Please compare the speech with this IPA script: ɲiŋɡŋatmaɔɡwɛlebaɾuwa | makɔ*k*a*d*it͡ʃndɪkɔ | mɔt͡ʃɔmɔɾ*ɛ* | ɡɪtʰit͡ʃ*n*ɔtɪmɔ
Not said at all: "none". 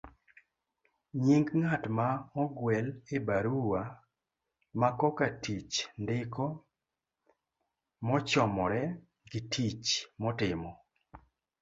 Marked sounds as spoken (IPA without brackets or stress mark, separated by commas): k, t, ɛ, m